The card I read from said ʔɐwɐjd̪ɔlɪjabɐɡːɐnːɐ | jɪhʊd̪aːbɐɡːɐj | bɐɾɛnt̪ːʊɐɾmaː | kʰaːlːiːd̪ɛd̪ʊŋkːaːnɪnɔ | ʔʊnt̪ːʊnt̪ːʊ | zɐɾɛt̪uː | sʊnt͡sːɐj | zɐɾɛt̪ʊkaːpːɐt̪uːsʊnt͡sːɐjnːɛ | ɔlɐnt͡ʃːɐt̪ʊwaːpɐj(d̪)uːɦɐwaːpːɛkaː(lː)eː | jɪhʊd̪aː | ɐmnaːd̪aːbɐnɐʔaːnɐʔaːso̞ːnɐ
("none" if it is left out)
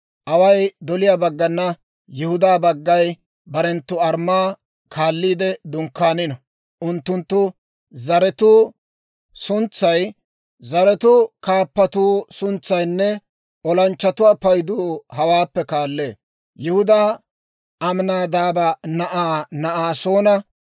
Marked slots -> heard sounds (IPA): d̪, lː

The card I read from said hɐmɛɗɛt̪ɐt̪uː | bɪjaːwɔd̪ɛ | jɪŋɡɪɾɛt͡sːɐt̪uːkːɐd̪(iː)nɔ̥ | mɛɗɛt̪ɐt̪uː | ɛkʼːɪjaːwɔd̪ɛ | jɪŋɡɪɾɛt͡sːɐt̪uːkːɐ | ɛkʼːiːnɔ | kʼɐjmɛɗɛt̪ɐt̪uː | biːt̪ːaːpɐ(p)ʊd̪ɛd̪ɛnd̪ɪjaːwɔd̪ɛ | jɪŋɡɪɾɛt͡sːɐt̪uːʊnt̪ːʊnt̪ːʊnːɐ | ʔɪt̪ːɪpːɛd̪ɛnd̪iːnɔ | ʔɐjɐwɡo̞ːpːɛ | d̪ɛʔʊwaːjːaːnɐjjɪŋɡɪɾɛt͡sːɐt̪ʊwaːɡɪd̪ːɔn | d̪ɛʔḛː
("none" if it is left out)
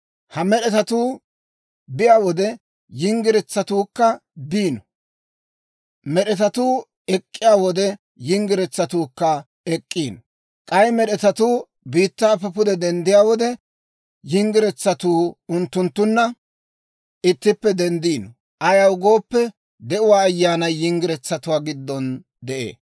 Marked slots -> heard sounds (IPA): iː, p

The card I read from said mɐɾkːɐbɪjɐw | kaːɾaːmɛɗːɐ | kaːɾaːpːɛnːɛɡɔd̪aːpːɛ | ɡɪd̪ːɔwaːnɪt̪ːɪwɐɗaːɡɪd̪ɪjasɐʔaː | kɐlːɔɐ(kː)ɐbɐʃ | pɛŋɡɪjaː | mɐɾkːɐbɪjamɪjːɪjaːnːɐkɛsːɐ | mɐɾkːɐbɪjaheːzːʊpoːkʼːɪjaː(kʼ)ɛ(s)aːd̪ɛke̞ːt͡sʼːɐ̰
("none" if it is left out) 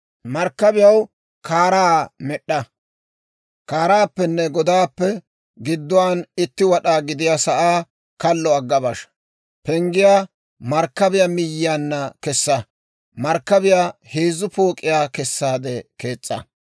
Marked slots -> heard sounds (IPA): ɡː, k, sː

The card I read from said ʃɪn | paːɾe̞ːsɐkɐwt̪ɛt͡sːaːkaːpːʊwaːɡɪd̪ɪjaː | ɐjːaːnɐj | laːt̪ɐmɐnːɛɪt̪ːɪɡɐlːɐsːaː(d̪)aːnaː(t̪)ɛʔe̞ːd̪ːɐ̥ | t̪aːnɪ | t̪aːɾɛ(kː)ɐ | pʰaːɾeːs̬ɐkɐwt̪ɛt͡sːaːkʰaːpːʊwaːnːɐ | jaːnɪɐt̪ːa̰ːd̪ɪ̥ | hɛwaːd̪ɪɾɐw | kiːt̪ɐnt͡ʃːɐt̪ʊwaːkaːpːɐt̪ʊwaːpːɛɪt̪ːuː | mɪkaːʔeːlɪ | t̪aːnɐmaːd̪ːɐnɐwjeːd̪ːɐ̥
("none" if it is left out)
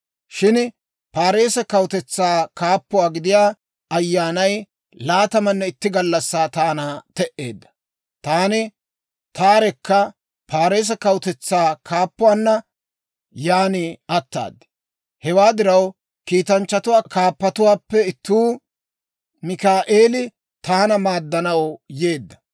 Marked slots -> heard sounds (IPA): t̪, t̪, kː

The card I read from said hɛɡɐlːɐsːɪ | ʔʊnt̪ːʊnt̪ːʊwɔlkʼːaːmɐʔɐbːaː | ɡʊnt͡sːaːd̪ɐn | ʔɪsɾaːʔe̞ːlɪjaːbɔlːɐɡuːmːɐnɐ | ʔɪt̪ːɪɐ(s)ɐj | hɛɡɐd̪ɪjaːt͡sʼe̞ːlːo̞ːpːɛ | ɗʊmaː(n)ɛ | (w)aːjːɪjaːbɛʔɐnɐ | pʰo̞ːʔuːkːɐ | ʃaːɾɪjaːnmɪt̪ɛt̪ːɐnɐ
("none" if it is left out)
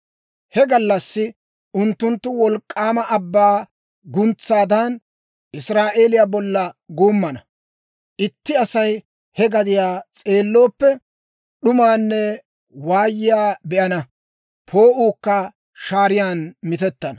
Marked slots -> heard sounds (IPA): s, nː, w

